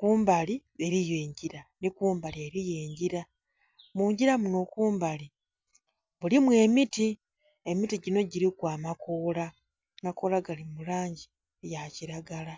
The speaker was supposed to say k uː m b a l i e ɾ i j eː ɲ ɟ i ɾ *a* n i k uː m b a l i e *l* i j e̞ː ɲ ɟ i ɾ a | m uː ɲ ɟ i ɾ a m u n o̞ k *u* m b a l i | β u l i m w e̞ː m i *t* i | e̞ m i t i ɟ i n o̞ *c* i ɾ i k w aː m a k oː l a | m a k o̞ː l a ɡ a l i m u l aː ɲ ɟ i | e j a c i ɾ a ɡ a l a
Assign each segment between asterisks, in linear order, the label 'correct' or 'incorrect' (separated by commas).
correct, incorrect, incorrect, correct, incorrect